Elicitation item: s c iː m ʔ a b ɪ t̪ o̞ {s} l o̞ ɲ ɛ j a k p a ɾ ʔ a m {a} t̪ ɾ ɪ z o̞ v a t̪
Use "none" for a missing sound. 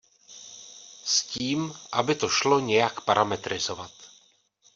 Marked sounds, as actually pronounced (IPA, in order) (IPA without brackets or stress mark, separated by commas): ʃ, ɛ